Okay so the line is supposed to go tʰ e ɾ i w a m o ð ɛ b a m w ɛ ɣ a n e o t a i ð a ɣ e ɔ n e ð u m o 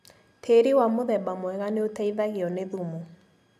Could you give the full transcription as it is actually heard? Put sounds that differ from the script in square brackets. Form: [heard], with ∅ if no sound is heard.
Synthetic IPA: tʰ e ɾ i w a m o ð ɛ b a m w ɛ ɣ a n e o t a i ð a ɣ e ɔ n e ð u m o

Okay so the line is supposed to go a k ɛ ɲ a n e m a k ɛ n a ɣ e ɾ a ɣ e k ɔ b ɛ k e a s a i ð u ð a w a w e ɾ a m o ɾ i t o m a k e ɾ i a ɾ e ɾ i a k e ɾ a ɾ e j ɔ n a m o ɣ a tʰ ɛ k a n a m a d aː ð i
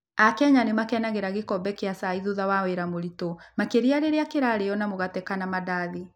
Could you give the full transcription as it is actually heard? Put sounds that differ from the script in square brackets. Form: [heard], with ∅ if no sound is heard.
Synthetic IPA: a k ɛ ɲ a n e m a k ɛ n a ɣ e ɾ a ɣ e k ɔ b ɛ k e a s a i ð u ð a w a w e ɾ a m o ɾ i t o m a k e ɾ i a ɾ e ɾ [e] a k e ɾ a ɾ e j ɔ n a m o ɣ a [t] ɛ k a n a m a d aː ð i

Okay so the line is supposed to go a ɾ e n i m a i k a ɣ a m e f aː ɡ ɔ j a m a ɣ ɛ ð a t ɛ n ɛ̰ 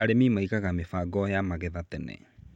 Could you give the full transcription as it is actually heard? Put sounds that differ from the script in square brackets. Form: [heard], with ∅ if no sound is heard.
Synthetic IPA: a ɾ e [m] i m a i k a ɣ a m e f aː ɡ ɔ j a m a ɣ ɛ ð a t ɛ n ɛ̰

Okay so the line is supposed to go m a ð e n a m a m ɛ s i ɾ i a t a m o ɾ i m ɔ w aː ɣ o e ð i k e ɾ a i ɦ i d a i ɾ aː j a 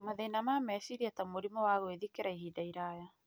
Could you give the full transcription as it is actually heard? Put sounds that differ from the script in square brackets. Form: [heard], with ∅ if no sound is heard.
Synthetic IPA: m a ð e n a m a m ɛ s i ɾ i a t a m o ɾ i m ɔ w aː ɣ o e ð i k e ɾ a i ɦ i d a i ɾ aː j a

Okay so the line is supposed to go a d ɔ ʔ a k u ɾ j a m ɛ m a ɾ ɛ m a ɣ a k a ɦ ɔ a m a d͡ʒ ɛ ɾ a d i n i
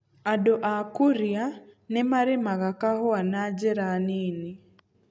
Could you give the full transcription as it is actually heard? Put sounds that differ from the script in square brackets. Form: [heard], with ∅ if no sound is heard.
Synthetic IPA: a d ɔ ʔ a k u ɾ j a [n] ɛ m a ɾ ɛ m a ɣ a k a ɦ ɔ a [n] a d͡ʒ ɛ ɾ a [n] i n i

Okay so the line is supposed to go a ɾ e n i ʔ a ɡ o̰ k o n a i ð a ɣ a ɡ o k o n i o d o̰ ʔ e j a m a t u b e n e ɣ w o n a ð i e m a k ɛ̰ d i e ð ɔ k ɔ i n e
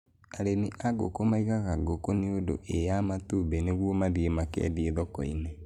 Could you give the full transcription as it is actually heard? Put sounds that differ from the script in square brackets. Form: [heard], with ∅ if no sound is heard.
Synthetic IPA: a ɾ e n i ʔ a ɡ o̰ k o [m] a i [ɣ] a ɣ a ɡ o k o n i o d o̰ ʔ e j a m a t u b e n e ɣ w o [m] a ð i e m a k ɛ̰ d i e ð ɔ k ɔ i n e

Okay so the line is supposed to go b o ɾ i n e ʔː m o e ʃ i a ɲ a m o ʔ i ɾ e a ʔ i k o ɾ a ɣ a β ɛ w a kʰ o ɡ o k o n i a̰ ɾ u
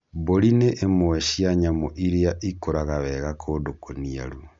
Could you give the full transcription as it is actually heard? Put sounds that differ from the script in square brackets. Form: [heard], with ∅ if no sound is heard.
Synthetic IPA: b o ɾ i n e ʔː m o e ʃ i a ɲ a m o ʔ i ɾ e a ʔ i k o ɾ a ɣ a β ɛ [ɣ] a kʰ o [d] o k o n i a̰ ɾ u

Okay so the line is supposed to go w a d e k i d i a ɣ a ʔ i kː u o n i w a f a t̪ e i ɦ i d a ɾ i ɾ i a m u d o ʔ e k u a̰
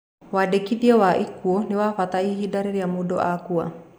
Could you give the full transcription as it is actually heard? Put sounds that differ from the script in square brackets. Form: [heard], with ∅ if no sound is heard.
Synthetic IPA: w a d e k i d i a [w] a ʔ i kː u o n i w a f a t̪ [a] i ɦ i d a ɾ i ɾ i a m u d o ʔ [a] k u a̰

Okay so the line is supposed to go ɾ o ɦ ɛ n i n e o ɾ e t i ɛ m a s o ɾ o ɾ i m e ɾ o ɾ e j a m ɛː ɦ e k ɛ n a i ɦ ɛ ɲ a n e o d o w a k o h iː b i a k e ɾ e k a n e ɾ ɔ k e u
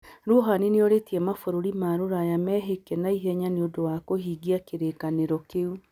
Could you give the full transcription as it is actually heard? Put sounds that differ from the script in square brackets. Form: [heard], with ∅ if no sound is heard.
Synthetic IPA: ɾ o ɦ [a] n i n e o ɾ e t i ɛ m a [f] o ɾ o ɾ i m [a] ɾ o ɾ [a] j a m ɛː ɦ e k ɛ n a i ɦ ɛ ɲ a n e o d o w a k o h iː [ɡ] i a k e ɾ e k a n e ɾ ɔ k e u

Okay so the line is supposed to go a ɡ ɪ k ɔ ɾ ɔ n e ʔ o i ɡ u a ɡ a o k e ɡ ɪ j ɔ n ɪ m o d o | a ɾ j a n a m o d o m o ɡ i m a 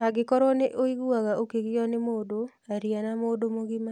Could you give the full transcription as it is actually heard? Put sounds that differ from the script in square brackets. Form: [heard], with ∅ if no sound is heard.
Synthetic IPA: a ɡ ɪ k ɔ ɾ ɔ n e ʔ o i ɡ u a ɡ a o k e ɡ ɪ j ɔ n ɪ m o d o | a ɾ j a n a m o d o m o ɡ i m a

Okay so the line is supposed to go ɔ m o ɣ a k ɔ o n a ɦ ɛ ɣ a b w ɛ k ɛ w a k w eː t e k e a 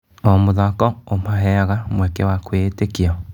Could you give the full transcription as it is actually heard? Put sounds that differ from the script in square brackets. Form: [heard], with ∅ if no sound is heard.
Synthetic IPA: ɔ m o [ð] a k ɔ o [m] a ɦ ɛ ɣ a [m] w ɛ k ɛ w a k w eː t e k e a

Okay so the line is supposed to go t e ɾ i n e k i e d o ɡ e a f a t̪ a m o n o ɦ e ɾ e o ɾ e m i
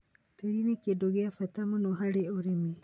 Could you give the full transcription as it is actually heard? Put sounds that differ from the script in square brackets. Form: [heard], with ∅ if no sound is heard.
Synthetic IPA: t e ɾ i n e k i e d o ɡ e a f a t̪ a m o n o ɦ [a] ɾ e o ɾ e m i

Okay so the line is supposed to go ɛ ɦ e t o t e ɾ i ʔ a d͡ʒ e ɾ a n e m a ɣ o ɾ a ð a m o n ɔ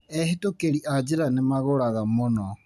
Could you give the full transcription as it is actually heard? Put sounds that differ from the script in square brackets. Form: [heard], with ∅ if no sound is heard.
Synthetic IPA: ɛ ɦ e t o [k] e ɾ i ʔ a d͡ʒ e ɾ a n e m a ɣ o ɾ a [ɣ] a m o n ɔ

